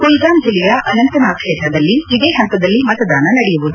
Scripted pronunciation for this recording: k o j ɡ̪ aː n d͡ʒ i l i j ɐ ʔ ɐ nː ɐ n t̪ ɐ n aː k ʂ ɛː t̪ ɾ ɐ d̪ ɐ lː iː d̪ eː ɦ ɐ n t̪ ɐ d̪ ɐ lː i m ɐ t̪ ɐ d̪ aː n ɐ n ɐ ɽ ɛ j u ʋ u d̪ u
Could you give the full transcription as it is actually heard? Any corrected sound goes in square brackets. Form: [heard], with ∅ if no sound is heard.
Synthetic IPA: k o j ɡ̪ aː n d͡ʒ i l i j ɐ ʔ ɐ [n] ɐ n t̪ ɐ n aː k ʂ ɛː t̪ ɾ ɐ d̪ ɐ lː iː d̪ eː ɦ ɐ n t̪ ɐ d̪ ɐ lː i m ɐ t̪ ɐ d̪ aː n ɐ n ɐ ɽ ɛ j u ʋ u d̪ u